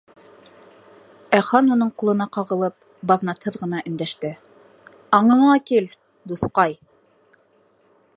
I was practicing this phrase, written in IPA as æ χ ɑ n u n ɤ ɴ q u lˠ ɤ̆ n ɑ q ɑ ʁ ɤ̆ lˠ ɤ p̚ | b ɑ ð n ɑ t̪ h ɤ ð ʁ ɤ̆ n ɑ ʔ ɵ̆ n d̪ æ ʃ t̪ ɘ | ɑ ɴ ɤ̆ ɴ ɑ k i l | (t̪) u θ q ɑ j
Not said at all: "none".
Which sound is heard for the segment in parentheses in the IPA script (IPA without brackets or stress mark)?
d̪